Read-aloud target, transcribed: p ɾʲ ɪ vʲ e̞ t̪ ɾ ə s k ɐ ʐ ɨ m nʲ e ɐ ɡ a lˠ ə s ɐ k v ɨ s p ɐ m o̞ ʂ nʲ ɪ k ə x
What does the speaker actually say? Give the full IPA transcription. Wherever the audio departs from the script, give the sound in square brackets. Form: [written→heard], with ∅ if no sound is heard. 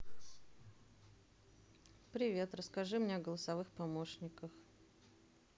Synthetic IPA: p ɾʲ ɪ vʲ e̞ t̪ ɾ ə s k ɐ ʐ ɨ m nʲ e ɐ ɡ [a→ə] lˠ ə s ɐ [k→∅] v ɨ [s→x] p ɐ m o̞ ʂ nʲ ɪ k ə x